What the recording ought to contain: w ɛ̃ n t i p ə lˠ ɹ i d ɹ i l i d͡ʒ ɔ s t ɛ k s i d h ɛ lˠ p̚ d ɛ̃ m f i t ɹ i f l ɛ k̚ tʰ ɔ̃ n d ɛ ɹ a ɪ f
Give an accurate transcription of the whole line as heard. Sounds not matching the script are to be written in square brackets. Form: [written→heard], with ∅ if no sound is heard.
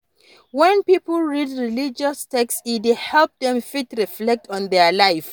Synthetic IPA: w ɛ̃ n [t→p] i p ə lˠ ɹ i d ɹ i l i d͡ʒ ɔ s t ɛ k s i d h ɛ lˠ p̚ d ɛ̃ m f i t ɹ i f l ɛ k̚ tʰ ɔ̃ n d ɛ [ɹ→l] a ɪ f

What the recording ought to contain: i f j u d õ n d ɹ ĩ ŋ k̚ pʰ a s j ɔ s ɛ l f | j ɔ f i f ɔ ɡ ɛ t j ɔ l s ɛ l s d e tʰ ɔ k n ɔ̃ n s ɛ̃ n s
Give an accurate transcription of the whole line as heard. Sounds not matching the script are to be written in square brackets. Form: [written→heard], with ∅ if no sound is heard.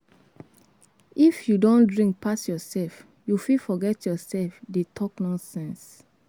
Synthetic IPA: i f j u d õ n d ɹ ĩ ŋ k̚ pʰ a s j ɔ s ɛ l f | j [ɔ→u] f i f ɔ ɡ ɛ t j ɔ [l→∅] s ɛ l [s→f] d e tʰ ɔ k n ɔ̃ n s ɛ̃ n s

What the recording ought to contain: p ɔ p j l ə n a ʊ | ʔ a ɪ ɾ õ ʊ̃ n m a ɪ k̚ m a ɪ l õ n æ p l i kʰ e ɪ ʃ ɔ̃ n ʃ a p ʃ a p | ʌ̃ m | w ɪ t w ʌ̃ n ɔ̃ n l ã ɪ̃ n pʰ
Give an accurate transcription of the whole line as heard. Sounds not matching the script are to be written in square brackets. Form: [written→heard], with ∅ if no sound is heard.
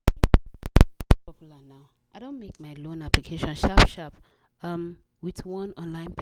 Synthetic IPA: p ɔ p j l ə n a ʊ | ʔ a ɪ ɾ õ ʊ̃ n m [a→e] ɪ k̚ m a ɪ l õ n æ p l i kʰ e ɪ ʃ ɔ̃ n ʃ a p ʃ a p | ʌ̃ m | w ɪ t w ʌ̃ n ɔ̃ n l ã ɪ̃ n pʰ

